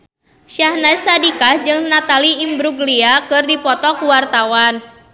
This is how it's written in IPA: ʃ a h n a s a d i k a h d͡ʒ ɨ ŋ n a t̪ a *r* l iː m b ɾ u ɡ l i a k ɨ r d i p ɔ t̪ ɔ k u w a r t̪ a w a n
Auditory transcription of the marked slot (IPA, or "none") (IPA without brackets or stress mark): none